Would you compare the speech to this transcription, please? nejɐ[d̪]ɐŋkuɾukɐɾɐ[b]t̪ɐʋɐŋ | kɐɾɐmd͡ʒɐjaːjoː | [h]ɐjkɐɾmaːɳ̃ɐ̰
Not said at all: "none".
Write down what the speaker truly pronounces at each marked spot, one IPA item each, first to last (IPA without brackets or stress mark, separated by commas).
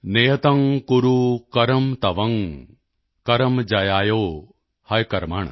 t̪, m, h